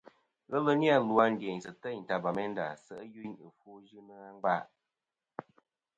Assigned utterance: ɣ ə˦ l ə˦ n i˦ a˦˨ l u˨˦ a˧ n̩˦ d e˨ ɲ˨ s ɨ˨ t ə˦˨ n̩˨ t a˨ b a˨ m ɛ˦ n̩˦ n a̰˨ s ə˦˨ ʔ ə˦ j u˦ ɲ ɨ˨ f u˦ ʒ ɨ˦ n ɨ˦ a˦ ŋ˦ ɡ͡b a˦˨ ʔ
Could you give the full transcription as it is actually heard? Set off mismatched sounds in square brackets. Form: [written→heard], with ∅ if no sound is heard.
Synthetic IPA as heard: ɣ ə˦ l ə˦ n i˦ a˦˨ l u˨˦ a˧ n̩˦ d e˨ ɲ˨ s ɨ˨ t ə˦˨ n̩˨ t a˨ b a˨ m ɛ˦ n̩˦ [n→d] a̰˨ s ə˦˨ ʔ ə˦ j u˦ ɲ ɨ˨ f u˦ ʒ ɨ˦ n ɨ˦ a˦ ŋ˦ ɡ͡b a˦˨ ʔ